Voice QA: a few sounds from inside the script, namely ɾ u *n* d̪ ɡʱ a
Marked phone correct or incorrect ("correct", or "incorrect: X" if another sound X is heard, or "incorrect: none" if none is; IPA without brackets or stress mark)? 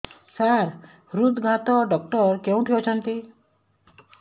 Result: incorrect: none